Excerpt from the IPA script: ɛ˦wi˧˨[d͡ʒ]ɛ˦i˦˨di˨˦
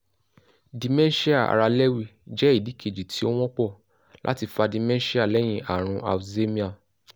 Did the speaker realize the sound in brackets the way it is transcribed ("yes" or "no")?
yes